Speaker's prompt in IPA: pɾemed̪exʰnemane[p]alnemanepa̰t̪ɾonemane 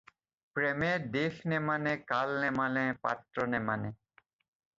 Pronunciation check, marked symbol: incorrect: k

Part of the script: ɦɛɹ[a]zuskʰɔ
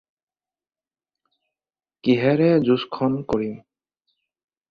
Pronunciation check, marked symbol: incorrect: ɛ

